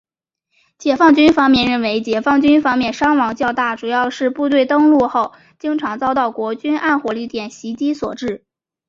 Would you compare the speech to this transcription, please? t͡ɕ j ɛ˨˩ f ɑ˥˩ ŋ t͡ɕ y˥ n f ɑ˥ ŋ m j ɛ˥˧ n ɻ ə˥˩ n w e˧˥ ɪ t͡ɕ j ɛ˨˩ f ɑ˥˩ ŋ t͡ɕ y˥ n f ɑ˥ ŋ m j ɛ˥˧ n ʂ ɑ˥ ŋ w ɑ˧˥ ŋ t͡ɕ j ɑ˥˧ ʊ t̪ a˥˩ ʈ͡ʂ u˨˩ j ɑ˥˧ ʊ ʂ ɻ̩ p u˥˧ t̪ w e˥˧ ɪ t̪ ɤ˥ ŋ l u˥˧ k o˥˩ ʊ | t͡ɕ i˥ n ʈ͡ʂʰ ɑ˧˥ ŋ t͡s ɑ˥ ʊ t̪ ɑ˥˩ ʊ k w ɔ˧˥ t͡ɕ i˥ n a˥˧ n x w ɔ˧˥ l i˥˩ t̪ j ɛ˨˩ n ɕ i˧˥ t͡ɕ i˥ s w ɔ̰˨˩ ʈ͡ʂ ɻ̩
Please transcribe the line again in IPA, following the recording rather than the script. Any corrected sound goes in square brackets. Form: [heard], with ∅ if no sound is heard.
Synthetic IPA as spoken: t͡ɕ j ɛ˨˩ f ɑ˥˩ ŋ t͡ɕ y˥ n f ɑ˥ ŋ m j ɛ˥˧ n ɻ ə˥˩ n w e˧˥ ɪ t͡ɕ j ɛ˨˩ f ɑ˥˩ ŋ t͡ɕ y˥ n f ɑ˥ ŋ m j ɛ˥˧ n ʂ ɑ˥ ŋ w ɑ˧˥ ŋ t͡ɕ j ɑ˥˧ ʊ t̪ a˥˩ ʈ͡ʂ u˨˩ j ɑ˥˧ ʊ ʂ ɻ̩ p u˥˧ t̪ w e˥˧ ɪ t̪ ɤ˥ ŋ l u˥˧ [x] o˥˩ ʊ | t͡ɕ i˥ [ŋ] ʈ͡ʂʰ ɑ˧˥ ŋ t͡s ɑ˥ ʊ t̪ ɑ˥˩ ʊ k w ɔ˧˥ t͡ɕ [y˥] n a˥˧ n x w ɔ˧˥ l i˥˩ t̪ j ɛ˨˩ n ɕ i˧˥ t͡ɕ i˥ s w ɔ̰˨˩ ʈ͡ʂ ɻ̩

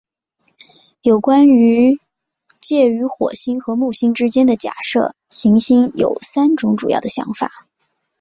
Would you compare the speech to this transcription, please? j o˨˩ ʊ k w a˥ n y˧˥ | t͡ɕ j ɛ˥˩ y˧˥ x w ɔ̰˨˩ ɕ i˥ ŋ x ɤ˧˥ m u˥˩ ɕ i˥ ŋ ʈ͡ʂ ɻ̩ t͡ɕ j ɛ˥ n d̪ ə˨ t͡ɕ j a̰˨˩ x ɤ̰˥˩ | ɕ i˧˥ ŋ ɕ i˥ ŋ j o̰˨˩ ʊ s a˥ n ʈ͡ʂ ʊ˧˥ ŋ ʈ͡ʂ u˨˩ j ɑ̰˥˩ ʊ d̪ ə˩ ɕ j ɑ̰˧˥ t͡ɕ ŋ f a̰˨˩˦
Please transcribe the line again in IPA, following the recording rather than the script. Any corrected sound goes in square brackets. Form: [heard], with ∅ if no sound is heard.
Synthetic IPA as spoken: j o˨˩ ʊ k w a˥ n y˧˥ | t͡ɕ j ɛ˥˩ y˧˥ x w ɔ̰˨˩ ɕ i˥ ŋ x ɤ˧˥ m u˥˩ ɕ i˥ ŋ ʈ͡ʂ ɻ̩ t͡ɕ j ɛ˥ n d̪ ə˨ t͡ɕ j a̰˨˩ [ʂ] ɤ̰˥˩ | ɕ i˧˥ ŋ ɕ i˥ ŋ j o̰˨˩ ʊ s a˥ n ʈ͡ʂ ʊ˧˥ ŋ ʈ͡ʂ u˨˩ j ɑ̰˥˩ ʊ d̪ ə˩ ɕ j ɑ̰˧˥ [∅] ŋ f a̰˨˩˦

